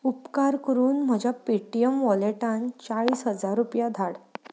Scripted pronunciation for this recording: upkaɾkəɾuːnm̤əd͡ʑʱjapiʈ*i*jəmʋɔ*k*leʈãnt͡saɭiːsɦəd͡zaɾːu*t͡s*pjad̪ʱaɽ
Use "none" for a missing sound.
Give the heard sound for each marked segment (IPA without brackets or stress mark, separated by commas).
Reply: i, none, none